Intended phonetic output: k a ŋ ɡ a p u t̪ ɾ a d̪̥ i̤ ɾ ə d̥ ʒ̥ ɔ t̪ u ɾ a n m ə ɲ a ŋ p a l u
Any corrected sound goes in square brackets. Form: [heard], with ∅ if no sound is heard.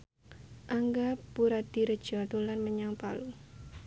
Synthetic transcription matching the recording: [ʔ] a ŋ ɡ a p u [∅] ɾ a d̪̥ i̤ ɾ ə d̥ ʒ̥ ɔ t̪ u [l] a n m ə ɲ a ŋ p a l u